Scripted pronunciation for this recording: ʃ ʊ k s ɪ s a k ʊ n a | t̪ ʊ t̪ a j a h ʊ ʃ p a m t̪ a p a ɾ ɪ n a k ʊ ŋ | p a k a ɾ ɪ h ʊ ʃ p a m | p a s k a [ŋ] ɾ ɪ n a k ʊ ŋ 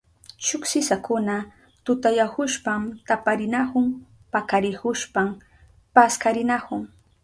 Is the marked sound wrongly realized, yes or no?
yes